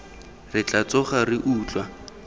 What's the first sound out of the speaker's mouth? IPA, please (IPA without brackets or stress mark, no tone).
r